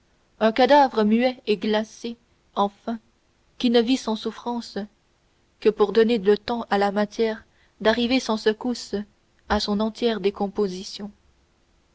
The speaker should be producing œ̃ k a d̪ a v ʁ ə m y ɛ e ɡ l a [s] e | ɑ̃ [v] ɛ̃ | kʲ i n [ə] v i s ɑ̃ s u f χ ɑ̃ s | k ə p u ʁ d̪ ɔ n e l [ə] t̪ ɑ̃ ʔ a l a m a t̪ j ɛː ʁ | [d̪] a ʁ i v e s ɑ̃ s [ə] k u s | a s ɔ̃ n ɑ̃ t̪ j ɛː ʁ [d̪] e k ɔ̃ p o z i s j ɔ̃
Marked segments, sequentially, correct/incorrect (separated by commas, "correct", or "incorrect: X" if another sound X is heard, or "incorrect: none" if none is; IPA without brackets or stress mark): correct, incorrect: f, correct, correct, correct, correct, correct